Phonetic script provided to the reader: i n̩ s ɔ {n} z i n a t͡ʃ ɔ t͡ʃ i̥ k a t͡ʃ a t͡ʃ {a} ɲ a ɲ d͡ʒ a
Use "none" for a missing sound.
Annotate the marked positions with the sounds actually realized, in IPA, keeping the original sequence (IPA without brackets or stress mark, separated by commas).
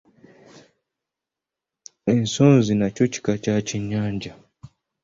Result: n, i